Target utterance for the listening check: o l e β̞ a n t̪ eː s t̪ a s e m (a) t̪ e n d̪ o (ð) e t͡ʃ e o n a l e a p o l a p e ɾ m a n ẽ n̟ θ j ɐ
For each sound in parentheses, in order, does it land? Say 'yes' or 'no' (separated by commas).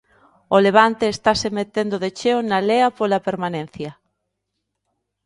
no, yes